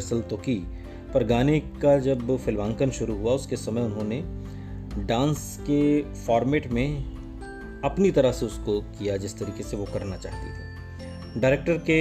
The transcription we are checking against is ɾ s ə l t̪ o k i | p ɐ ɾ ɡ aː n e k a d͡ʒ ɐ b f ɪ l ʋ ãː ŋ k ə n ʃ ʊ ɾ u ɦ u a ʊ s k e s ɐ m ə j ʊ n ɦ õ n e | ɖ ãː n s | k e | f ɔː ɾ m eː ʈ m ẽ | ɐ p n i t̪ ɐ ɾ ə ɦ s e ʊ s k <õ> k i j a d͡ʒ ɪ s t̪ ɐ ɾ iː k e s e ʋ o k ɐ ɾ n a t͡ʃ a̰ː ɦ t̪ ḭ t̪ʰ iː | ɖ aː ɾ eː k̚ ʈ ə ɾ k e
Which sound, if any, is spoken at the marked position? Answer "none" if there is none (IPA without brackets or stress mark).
o